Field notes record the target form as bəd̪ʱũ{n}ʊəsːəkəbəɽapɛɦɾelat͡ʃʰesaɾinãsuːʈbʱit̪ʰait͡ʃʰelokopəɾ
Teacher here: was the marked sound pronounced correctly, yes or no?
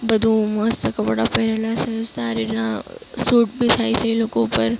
no